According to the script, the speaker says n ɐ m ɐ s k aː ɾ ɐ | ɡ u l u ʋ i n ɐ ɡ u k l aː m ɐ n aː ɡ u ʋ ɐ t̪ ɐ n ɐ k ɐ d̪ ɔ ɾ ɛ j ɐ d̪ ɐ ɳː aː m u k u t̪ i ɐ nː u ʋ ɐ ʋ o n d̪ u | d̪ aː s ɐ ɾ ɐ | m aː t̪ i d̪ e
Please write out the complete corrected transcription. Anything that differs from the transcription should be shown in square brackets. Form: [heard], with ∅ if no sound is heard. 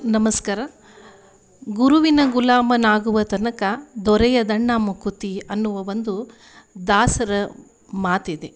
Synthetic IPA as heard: n ɐ m ɐ s k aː ɾ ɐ | ɡ u [ɾ] u ʋ i n ɐ ɡ u [∅] l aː m ɐ n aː ɡ u ʋ ɐ t̪ ɐ n ɐ k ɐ d̪ ɔ ɾ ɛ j ɐ d̪ ɐ ɳː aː m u k u t̪ i ɐ nː u ʋ ɐ ʋ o n d̪ u | d̪ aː s ɐ ɾ ɐ | m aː t̪ i d̪ e